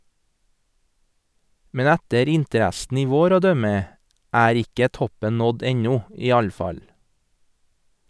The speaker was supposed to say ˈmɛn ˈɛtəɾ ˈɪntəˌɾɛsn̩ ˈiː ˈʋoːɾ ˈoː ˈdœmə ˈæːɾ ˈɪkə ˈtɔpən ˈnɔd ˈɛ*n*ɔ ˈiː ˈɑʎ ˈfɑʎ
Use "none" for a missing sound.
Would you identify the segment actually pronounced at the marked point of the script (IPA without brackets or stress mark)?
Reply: ɲ